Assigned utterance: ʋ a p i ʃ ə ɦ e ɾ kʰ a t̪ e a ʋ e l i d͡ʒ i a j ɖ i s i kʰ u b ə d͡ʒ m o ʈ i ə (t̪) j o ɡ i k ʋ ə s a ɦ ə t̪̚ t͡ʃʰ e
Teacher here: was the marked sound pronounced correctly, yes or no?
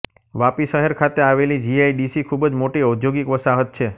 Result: no